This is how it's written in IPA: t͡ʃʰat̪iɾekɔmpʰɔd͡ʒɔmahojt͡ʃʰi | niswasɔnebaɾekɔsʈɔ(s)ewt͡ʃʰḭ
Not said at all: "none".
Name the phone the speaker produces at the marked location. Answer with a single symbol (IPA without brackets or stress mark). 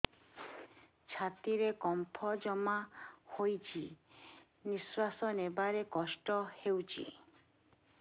h